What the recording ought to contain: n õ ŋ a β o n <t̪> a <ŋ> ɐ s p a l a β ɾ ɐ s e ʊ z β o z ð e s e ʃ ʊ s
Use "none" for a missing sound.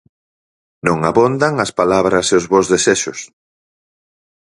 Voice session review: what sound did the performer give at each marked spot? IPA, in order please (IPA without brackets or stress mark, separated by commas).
d̪, ŋ